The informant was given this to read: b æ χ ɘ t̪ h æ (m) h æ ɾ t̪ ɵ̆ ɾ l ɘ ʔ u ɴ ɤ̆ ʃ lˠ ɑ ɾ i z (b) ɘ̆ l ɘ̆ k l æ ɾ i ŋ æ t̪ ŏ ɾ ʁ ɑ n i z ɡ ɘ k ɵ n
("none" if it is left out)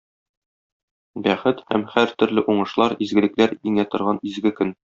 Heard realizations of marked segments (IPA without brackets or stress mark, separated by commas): m, ɡ